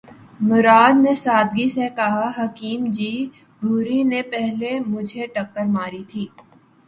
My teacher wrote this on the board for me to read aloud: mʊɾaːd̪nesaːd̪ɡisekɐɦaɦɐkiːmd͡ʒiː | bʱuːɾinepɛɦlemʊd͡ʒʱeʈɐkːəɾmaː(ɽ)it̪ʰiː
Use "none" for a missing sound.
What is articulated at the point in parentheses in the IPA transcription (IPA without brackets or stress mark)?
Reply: ɾ